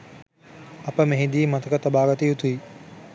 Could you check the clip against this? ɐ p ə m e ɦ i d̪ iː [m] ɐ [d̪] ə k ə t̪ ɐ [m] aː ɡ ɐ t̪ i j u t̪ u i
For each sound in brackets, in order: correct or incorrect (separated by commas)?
correct, incorrect, incorrect